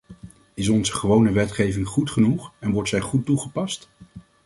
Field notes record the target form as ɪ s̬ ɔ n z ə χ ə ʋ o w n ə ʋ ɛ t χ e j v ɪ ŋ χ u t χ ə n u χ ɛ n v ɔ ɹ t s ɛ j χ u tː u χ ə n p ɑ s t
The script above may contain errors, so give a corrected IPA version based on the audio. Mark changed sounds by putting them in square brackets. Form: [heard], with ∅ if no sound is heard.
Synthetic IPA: ɪ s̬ ɔ n z ə χ ə ʋ o w n ə ʋ ɛ t χ e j v ɪ ŋ χ u t χ ə n u χ ɛ n [ʋ] ɔ ɹ t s ɛ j χ u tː u χ ə [∅] p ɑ s t